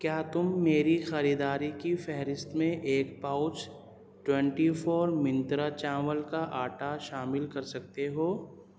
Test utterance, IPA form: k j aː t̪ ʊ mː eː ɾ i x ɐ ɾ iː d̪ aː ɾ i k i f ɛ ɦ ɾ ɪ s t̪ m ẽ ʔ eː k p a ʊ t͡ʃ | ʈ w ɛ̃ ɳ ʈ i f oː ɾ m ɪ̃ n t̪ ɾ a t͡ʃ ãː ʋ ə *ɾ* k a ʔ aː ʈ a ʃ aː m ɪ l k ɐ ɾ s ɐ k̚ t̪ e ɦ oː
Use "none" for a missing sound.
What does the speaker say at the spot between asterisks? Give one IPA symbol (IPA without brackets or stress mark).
l